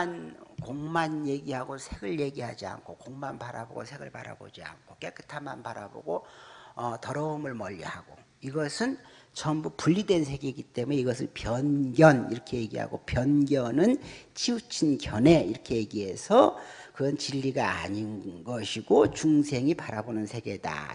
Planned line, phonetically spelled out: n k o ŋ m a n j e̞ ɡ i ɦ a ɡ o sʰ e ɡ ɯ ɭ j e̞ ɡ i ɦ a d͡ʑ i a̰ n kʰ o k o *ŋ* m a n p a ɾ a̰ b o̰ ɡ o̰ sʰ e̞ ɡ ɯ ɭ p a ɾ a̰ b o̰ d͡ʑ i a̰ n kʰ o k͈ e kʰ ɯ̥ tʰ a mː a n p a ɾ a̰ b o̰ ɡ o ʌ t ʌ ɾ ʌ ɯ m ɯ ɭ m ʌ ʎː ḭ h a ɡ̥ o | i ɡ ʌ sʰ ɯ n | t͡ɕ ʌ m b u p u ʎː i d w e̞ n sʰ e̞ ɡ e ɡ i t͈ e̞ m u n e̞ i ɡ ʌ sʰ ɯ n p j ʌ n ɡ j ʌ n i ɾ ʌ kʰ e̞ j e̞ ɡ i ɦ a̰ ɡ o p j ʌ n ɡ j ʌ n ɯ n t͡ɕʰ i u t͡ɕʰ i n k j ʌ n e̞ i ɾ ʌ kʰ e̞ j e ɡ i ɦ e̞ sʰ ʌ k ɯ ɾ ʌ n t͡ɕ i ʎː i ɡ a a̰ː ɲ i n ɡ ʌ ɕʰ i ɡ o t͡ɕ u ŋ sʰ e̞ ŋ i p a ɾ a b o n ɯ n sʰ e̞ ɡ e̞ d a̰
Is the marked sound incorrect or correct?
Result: correct